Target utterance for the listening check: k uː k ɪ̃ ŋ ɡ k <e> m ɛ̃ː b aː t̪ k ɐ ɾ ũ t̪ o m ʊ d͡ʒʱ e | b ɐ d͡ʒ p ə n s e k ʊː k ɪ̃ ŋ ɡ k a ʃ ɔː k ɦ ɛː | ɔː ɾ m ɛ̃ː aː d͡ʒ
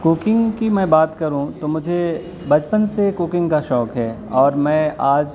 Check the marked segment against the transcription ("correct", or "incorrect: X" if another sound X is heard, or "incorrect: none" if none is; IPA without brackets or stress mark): incorrect: i